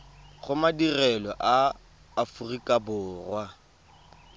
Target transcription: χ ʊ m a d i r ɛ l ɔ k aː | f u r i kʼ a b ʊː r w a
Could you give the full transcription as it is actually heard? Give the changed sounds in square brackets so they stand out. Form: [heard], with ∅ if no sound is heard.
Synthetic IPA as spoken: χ ʊ m a d i r ɛ l ɔ [ʔ] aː | f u r i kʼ a b ʊː r w a